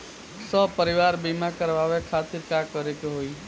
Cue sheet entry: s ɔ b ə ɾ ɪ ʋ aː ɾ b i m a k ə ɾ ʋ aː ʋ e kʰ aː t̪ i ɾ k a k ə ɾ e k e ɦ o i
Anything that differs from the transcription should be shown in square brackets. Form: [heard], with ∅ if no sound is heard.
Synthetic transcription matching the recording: s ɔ [p] ə ɾ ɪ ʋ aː ɾ b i m a k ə ɾ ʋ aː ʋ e kʰ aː t̪ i ɾ k a k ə ɾ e k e ɦ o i

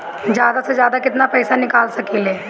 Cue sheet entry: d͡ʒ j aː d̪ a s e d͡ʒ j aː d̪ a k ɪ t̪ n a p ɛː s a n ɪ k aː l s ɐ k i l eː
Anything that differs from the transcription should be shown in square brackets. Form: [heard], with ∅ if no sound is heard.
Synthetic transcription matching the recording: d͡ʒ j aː d̪ a s e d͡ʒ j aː d̪ a k ɪ t̪ n a p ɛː s a n ɪ k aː l s ɐ k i l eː

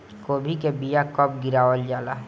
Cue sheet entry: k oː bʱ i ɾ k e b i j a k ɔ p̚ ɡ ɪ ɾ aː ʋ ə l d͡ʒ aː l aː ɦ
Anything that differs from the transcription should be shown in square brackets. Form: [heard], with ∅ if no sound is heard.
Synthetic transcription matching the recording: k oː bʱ i [∅] k e b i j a k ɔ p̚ ɡ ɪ ɾ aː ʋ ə l d͡ʒ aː l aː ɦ

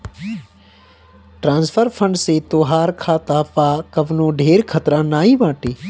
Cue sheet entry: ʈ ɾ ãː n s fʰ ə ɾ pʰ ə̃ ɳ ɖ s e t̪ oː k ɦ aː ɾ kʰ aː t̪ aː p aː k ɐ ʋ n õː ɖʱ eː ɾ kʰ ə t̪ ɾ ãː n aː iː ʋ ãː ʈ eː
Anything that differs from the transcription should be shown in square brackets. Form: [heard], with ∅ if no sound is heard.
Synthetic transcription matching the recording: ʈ ɾ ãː n s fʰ ə ɾ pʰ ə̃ ɳ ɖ s e t̪ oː [∅] ɦ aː ɾ kʰ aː t̪ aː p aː k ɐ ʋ n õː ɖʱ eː ɾ kʰ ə t̪ ɾ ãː n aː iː ʋ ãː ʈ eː

